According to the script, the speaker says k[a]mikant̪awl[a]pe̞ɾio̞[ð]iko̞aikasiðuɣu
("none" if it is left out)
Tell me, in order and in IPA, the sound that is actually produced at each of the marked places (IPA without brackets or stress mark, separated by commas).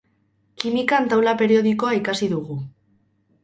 i, a, ð